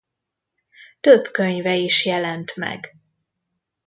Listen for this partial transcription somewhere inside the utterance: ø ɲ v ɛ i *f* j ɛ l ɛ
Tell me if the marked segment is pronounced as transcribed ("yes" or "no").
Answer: no